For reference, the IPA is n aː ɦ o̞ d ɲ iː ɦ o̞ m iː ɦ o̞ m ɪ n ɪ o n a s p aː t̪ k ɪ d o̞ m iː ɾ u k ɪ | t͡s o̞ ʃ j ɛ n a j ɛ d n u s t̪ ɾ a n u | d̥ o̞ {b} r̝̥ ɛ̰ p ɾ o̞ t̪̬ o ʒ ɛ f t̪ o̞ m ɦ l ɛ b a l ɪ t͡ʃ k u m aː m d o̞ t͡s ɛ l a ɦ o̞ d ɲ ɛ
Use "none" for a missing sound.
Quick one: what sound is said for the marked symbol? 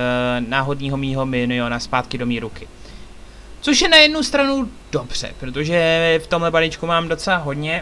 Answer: b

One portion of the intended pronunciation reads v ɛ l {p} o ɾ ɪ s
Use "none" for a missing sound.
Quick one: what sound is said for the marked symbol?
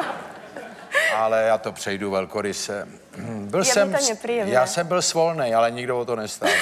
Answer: k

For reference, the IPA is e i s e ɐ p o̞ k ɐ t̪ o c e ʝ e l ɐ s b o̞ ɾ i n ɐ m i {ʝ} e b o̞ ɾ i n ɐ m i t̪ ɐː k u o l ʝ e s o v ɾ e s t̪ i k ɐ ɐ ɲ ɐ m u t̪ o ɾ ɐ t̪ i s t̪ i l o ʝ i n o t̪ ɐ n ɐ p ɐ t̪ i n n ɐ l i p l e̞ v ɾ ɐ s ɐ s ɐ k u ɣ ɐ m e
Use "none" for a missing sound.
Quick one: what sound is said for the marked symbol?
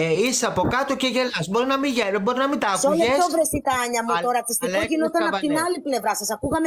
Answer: ʝ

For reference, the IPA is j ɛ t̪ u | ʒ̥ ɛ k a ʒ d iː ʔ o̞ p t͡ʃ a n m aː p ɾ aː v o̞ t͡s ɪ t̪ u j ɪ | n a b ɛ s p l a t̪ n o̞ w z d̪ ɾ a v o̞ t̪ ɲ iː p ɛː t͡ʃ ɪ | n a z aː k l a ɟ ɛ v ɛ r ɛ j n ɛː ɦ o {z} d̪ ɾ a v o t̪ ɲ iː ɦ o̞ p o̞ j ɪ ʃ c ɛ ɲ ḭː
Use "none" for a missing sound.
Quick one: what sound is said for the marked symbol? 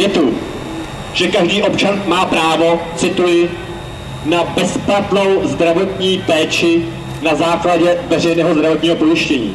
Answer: z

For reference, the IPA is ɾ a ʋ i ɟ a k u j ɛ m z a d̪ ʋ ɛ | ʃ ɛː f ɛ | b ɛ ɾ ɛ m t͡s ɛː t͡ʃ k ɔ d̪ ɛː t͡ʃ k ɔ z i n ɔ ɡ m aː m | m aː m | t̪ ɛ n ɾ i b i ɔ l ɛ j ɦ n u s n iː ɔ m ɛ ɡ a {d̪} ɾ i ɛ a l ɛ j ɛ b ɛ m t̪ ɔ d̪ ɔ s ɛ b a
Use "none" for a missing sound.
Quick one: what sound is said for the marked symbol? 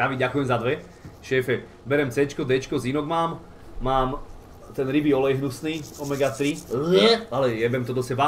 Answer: t̪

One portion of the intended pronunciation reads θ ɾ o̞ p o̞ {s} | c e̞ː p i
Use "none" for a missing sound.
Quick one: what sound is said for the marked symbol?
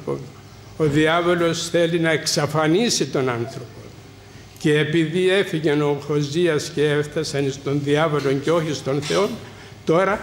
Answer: none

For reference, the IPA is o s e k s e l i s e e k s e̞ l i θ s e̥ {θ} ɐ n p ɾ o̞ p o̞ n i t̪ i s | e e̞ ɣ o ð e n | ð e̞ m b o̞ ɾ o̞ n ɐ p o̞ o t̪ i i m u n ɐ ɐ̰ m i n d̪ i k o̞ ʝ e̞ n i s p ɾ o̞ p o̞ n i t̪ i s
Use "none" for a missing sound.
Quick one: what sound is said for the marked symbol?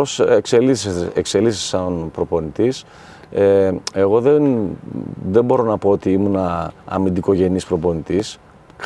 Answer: s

